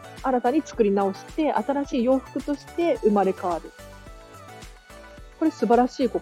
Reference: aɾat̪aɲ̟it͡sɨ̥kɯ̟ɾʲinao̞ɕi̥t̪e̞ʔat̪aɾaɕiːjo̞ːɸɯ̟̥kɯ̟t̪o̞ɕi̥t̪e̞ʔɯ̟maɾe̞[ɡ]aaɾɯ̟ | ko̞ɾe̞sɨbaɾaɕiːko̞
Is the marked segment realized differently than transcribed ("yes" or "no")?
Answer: yes